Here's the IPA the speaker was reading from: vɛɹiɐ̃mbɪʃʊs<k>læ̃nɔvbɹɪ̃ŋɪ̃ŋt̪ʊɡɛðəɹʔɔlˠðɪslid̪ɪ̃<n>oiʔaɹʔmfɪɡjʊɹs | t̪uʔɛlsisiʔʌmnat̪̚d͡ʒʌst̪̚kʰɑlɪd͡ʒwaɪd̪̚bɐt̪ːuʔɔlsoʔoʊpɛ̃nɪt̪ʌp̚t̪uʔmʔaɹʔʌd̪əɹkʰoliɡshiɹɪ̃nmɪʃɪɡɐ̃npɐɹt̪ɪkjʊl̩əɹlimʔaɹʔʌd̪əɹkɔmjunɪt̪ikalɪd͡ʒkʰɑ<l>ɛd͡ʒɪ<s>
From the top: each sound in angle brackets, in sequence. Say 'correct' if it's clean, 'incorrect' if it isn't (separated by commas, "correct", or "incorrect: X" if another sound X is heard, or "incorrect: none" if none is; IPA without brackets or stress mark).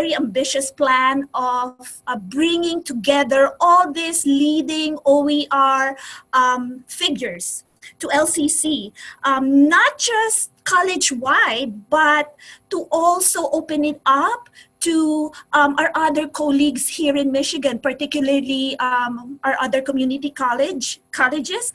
incorrect: p, incorrect: ŋ, correct, correct